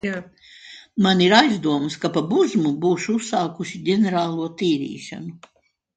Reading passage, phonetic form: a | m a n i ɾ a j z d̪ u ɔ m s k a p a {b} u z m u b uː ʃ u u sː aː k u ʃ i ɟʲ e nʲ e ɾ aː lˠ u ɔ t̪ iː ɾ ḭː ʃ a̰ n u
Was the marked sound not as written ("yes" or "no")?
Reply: no